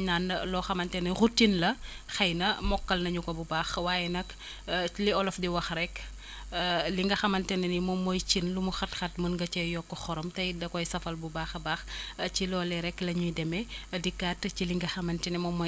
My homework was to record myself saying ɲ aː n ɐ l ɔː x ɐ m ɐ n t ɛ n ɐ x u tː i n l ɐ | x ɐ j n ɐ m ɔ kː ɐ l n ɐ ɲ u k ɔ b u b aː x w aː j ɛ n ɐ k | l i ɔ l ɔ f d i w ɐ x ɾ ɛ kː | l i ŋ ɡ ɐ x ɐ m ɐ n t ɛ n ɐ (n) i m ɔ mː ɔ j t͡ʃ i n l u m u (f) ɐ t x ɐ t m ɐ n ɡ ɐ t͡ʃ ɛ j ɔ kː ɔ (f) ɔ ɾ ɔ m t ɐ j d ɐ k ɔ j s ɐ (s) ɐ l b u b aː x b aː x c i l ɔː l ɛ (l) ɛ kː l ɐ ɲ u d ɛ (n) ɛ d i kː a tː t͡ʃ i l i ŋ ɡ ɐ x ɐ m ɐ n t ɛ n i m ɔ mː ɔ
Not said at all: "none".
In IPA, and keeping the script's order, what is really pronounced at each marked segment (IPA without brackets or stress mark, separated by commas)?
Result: n, x, x, f, ɾ, m